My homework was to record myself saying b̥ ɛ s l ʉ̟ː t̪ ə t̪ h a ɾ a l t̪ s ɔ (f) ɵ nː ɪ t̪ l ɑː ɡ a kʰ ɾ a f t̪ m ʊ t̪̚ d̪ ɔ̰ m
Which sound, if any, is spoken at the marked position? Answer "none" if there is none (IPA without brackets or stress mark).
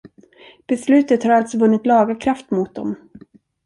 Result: v